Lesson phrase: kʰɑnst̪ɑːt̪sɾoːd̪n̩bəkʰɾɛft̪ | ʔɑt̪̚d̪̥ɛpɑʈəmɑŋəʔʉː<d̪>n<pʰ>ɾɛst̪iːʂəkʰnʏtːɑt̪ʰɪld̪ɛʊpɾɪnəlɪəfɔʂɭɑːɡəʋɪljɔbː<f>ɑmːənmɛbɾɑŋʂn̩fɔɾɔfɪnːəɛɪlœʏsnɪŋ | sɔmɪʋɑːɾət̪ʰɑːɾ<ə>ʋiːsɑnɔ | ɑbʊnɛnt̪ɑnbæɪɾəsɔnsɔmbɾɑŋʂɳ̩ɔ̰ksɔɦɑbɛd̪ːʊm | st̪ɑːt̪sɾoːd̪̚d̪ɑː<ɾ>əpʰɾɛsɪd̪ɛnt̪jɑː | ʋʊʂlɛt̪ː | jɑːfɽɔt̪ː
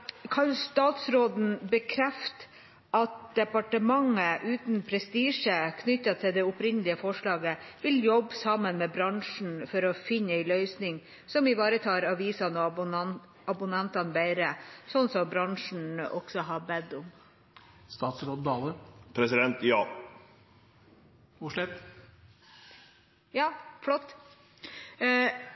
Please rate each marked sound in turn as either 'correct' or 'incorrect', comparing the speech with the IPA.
incorrect, correct, incorrect, incorrect, incorrect

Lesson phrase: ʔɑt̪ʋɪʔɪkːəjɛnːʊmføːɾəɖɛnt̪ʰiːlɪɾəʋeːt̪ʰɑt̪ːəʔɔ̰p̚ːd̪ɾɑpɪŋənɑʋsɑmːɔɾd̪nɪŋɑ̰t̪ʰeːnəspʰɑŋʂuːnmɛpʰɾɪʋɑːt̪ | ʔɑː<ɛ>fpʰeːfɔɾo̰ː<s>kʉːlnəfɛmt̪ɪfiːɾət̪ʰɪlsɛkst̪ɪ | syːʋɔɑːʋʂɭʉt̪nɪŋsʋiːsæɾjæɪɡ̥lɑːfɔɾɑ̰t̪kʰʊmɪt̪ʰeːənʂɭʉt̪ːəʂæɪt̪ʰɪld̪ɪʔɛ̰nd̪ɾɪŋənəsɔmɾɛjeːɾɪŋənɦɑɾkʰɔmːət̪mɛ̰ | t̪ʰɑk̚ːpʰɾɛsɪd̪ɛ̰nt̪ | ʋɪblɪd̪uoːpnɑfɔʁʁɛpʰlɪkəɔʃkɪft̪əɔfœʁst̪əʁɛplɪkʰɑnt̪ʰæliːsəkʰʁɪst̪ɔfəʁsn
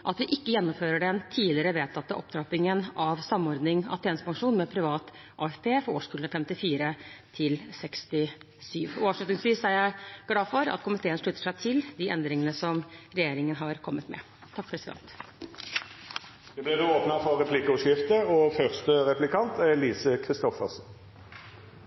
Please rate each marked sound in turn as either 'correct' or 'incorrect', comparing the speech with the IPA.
correct, incorrect

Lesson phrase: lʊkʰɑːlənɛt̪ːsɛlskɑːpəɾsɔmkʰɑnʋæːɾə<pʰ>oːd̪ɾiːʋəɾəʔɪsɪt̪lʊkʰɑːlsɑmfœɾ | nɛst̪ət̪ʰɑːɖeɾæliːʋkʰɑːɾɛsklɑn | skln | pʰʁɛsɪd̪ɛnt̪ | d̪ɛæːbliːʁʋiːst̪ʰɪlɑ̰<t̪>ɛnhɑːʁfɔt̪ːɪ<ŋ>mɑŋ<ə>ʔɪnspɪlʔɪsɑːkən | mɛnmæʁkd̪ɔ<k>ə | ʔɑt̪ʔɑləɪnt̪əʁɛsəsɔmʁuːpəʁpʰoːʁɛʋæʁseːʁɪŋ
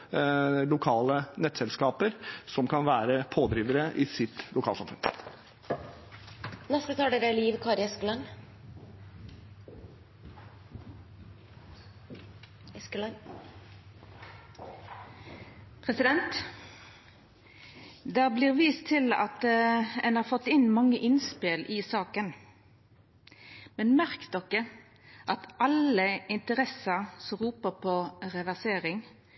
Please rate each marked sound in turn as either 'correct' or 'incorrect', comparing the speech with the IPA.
correct, correct, incorrect, correct, correct

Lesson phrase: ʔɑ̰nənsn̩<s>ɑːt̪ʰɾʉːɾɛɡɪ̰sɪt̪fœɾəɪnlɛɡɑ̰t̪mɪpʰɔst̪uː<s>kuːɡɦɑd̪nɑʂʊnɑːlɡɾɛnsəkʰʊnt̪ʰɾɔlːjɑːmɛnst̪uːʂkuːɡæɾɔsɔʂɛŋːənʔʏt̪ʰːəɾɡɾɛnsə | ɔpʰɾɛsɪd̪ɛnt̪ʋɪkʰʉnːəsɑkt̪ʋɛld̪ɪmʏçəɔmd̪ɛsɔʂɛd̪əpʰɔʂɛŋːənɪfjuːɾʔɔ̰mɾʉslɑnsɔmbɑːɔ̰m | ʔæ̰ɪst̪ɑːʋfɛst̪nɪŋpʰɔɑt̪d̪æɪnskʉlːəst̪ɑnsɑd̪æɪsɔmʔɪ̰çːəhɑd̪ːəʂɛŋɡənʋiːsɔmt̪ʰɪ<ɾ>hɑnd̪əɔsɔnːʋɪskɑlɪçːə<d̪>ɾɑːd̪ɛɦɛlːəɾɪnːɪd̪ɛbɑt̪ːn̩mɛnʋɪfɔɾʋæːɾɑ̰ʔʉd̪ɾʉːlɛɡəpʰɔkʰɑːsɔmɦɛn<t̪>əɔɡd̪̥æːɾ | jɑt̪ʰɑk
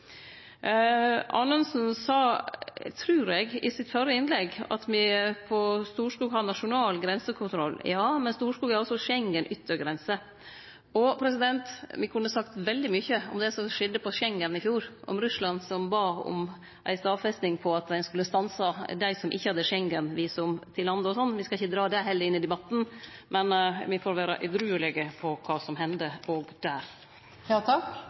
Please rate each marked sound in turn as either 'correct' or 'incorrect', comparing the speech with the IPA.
correct, incorrect, incorrect, correct, incorrect

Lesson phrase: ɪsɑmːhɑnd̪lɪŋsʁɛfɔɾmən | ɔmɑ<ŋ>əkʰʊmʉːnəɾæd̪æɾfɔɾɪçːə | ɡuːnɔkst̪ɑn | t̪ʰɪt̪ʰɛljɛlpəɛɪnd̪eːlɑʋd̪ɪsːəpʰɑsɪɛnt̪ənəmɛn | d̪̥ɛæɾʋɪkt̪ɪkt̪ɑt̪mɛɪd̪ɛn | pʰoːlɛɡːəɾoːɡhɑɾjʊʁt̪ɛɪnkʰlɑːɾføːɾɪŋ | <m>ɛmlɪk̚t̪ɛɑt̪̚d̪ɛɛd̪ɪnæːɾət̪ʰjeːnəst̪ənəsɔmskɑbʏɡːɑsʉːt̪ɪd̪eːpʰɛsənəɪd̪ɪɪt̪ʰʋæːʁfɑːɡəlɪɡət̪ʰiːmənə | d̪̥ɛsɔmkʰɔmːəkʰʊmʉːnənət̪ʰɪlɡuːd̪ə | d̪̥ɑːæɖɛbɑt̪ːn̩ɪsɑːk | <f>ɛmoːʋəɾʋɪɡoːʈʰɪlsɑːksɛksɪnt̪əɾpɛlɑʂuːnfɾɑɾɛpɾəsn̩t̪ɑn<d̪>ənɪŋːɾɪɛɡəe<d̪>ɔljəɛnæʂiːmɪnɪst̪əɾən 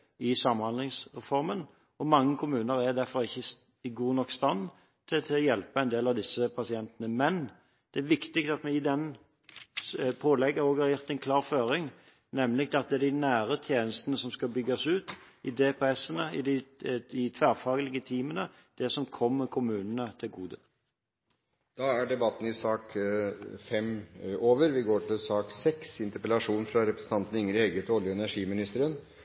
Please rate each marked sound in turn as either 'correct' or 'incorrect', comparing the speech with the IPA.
incorrect, incorrect, correct, incorrect, incorrect

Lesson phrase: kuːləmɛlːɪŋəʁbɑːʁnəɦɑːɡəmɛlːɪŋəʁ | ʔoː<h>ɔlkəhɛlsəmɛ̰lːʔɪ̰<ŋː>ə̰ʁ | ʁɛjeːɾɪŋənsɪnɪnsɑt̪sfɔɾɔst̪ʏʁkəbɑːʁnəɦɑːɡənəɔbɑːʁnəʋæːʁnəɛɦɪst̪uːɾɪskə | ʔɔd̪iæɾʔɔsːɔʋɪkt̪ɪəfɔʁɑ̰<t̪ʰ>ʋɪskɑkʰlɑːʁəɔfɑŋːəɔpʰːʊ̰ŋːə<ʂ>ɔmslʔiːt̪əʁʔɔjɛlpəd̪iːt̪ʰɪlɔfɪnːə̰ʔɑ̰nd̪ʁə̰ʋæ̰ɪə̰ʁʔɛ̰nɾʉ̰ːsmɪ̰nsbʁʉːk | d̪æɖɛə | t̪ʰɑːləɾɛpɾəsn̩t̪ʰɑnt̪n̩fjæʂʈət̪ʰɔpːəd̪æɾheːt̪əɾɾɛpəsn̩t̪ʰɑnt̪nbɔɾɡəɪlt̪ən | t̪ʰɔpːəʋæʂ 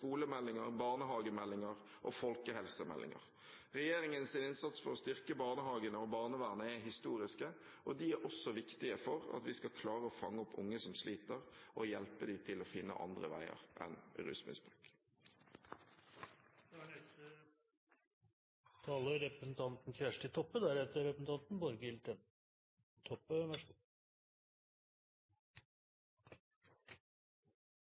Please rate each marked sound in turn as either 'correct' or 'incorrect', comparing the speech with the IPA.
incorrect, incorrect, incorrect, incorrect

